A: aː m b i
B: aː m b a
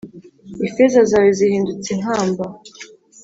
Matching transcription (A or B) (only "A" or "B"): B